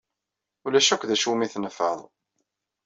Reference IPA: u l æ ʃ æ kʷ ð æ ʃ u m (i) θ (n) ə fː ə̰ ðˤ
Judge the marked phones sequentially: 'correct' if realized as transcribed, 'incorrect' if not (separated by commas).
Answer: correct, correct